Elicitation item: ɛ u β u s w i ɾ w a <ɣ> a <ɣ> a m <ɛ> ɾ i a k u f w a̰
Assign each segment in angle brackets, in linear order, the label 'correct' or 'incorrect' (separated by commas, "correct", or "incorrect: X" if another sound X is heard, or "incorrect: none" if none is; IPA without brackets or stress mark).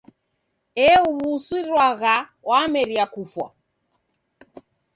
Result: correct, incorrect: w, correct